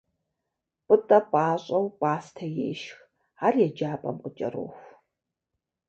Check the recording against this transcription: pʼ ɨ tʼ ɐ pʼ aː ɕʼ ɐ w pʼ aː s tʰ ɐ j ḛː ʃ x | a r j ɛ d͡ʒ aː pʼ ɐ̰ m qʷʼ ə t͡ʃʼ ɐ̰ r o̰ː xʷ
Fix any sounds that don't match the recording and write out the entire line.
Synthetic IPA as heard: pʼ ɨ tʼ ɐ pʼ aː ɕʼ ɐ w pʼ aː s tʰ ɐ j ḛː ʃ x | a r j ɛ d͡ʒ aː pʼ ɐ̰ m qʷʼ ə t͡ʃʼ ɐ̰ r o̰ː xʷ